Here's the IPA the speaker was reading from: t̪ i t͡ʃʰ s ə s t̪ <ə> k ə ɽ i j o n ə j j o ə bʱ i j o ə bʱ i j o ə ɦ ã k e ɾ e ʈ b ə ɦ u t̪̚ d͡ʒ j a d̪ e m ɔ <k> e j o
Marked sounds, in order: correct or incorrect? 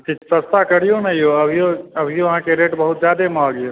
incorrect: a, incorrect: ɡ

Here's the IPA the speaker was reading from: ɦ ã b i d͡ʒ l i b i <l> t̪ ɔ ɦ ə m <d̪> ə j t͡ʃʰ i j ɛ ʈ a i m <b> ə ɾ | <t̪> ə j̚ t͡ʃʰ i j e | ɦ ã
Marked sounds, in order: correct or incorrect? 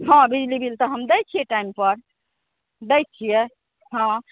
correct, correct, incorrect: p, incorrect: d̪

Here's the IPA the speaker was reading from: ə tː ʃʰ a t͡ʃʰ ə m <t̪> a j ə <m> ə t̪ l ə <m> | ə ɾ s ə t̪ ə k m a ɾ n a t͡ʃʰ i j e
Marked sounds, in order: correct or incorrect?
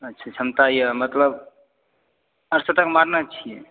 correct, correct, incorrect: b

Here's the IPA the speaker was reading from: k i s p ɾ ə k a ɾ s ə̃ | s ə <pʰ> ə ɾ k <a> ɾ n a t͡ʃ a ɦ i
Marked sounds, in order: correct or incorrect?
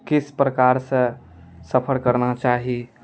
correct, incorrect: ə

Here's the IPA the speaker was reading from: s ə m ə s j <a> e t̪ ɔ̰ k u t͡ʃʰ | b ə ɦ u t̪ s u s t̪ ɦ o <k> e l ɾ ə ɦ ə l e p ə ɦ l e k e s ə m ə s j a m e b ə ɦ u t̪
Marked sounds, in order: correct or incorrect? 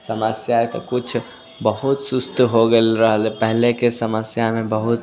correct, incorrect: ɡ

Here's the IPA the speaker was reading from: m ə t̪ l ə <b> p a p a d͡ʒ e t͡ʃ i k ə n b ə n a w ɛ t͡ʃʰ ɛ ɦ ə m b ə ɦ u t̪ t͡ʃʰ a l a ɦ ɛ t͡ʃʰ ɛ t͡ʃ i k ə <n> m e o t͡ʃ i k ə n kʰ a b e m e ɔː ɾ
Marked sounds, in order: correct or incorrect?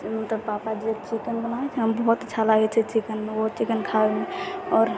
correct, correct

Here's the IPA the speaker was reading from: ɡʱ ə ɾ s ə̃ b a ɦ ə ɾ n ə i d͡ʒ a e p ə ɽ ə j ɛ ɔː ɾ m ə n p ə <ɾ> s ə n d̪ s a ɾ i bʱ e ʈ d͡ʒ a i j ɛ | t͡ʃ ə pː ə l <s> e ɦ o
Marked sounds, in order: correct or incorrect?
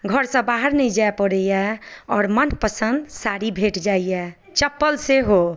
incorrect: none, correct

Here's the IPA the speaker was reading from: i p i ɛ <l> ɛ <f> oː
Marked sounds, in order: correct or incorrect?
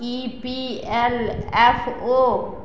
correct, correct

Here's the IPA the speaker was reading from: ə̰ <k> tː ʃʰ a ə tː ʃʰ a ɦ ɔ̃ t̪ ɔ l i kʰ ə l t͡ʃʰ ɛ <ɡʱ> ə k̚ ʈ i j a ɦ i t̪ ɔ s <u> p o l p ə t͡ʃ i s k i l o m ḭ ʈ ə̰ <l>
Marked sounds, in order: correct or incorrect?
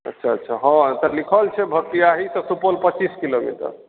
incorrect: none, incorrect: bʱ, correct, incorrect: ɾ

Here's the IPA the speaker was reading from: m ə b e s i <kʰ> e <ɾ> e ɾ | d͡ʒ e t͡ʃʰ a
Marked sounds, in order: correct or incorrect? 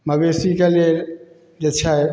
incorrect: k, incorrect: l

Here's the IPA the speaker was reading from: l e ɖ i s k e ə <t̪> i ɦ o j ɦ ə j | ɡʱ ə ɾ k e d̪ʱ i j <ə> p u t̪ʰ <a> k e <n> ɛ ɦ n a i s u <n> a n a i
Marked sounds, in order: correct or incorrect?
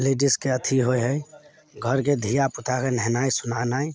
incorrect: t̪ʰ, incorrect: a, correct, correct, correct

